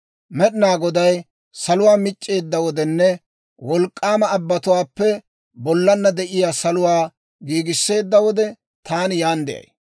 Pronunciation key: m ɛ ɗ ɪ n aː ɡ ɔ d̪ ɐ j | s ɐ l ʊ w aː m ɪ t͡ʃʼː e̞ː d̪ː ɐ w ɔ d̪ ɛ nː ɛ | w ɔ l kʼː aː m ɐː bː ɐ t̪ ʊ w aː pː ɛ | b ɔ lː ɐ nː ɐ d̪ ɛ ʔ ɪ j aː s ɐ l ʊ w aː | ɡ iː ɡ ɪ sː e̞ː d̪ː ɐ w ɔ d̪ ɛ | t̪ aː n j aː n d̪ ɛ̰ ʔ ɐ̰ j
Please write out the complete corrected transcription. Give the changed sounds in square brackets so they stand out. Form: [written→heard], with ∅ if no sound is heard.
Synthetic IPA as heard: m ɛ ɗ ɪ n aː ɡ ɔ d̪ ɐ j | s ɐ l ʊ w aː m ɪ t͡ʃʼː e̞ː d̪ː ɐ w ɔ d̪ ɛ nː ɛ | w ɔ l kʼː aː m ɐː bː ɐ t̪ ʊ w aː pː ɛ | b ɔ lː ɐ nː ɐ d̪ ɛ ʔ ɪ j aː s ɐ l ʊ w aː | ɡ iː ɡ ɪ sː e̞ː d̪ː ɐ w ɔ d̪ ɛ | t̪ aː n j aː n d̪ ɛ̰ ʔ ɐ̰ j